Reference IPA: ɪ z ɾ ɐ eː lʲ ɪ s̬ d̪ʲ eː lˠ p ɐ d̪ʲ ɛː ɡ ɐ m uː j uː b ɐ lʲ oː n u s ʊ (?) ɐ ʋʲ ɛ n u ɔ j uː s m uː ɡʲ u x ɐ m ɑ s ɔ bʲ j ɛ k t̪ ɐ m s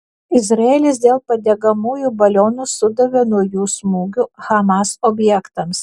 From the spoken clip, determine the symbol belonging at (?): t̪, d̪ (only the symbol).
d̪